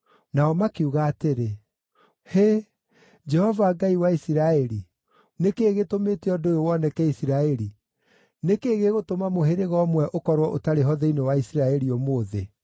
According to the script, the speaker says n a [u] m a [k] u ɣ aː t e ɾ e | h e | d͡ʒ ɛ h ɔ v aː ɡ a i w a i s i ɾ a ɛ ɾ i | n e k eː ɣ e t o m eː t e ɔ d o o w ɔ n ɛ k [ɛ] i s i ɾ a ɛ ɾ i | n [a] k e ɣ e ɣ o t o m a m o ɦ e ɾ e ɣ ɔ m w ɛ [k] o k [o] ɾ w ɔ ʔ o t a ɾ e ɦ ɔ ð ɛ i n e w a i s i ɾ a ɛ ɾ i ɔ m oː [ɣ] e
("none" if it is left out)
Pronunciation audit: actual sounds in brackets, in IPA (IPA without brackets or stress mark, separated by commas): ɔ, k, ɛ, e, ʔ, ɔ, ð